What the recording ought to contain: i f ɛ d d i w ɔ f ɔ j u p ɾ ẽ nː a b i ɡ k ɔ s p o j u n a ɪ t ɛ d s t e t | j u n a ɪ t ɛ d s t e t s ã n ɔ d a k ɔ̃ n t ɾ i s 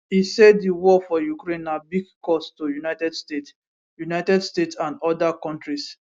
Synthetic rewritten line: i s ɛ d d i w ɔ f ɔ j u k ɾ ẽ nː a b i ɡ k ɔ s t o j u n a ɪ t ɛ d s t e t | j u n a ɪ t ɛ d s t e t s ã n ɔ d a k ɔ̃ n t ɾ i s